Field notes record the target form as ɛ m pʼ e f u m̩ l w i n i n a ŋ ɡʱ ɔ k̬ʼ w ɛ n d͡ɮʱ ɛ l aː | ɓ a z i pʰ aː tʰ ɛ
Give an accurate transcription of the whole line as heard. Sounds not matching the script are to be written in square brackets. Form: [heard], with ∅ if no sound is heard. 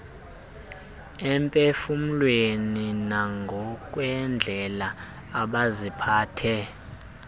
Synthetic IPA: ɛ m pʼ e f u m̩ l w [e] n i n a ŋ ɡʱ ɔ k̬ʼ w ɛ n d͡ɮʱ ɛ l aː | ɓ a z i pʰ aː tʰ ɛ